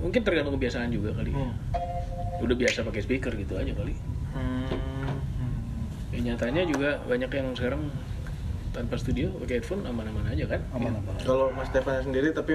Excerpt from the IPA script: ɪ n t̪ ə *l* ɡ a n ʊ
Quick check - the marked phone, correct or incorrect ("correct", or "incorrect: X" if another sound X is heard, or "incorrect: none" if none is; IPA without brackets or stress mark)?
incorrect: r